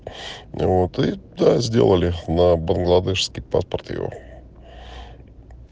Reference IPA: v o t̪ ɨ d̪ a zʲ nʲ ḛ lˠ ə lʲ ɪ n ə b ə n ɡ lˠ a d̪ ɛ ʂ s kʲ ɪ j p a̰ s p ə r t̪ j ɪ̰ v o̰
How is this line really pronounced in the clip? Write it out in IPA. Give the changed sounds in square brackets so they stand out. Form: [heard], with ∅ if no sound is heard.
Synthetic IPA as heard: v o t̪ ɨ d̪ a zʲ [dʲ] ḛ lˠ ə lʲ ɪ n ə b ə n ɡ lˠ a d̪ ɛ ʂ s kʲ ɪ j p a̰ s p ə r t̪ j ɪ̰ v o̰